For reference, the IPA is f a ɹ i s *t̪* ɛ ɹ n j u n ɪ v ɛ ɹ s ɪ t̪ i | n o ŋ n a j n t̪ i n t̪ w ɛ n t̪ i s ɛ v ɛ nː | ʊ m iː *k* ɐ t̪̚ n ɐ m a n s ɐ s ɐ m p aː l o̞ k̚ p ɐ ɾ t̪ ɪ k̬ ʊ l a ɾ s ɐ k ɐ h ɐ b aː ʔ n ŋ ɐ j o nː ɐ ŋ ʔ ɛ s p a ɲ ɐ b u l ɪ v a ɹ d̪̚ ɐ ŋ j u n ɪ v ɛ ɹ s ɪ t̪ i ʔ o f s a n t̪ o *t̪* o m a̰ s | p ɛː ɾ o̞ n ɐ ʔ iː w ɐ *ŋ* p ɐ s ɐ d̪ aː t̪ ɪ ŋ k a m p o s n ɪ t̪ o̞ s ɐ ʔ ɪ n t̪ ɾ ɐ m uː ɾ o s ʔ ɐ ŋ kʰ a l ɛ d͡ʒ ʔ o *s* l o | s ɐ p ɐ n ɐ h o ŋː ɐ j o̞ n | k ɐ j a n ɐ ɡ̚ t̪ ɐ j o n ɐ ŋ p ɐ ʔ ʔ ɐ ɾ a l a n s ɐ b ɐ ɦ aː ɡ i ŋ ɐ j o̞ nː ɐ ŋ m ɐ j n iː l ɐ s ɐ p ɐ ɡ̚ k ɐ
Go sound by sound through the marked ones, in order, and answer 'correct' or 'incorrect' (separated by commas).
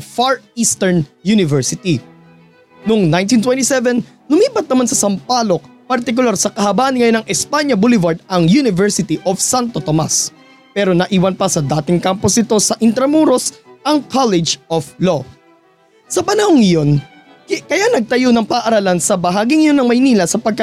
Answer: correct, incorrect, correct, incorrect, incorrect